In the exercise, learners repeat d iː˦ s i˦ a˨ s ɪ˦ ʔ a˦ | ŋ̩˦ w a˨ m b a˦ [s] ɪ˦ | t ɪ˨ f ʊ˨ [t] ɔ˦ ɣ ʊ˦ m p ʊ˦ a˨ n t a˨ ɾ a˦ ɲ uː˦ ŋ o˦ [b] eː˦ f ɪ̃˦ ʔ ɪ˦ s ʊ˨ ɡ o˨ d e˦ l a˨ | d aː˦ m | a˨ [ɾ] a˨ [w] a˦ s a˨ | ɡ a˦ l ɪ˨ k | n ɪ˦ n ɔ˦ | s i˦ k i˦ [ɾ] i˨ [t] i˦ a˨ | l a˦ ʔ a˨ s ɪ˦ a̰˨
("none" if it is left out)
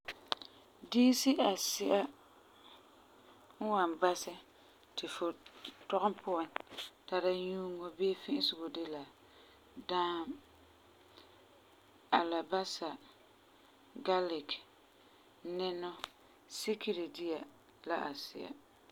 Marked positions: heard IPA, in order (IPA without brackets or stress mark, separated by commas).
s, t, b, l, b, ɾ, d